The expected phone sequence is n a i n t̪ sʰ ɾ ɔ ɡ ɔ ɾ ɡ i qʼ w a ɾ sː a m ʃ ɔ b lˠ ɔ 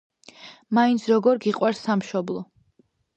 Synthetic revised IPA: m a i n t̪ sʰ ɾ ɔ ɡ ɔ ɾ ɡ i qʼ w a ɾ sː a m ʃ ɔ b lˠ ɔ

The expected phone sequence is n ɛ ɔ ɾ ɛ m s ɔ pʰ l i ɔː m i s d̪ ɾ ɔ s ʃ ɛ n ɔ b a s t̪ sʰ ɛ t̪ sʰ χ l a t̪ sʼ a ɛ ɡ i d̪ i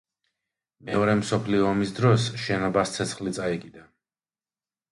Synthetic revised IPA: m ɛ ɔ ɾ ɛ m s ɔ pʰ l i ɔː m i s d̪ ɾ ɔ s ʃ ɛ n ɔ b a s t̪ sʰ ɛ t̪ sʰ χ l i t̪ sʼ a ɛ ɡ i d̪ a

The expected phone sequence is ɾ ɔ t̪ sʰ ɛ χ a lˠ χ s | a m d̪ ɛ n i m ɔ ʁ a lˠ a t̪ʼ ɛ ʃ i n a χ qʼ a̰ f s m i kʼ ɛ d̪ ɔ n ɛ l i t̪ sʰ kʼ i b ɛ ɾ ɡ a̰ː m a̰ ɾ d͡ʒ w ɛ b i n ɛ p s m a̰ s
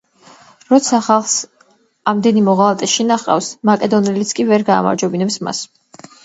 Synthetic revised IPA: ɾ ɔ t̪ sʰ a χ a lˠ χ s | a m d̪ ɛ n i m ɔ ʁ a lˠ a t̪ʼ ɛ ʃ i n a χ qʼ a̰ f s m a kʼ ɛ d̪ ɔ n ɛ l i t̪ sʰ kʼ i v ɛ ɾ ɡ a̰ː m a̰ ɾ d͡ʒ w ɛ b i n ɛ p s m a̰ s

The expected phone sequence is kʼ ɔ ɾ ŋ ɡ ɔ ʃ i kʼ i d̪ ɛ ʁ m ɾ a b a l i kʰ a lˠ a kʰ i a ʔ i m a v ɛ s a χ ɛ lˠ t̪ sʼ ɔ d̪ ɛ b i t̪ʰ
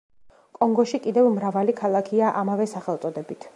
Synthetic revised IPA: kʼ ɔ ŋ ɡ ɔ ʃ i kʼ i d̪ ɛ v m ɾ a v a l i kʰ a lˠ a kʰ i a ʔ a m a v ɛ s a χ ɛ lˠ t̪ sʼ ɔ d̪ ɛ b i t̪ʰ

